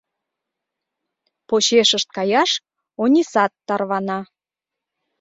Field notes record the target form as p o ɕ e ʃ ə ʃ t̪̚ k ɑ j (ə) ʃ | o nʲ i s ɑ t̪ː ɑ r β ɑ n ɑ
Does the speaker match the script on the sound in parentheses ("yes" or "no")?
no